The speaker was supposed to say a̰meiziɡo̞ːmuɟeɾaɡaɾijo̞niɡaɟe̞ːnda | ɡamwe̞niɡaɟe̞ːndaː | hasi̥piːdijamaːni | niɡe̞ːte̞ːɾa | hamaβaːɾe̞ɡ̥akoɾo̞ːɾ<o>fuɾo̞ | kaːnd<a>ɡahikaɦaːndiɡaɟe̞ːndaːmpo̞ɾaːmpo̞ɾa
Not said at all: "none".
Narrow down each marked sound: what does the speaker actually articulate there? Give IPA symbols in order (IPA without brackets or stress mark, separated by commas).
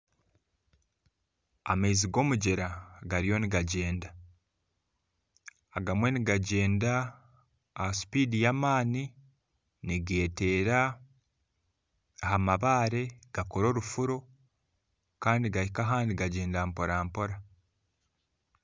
u, i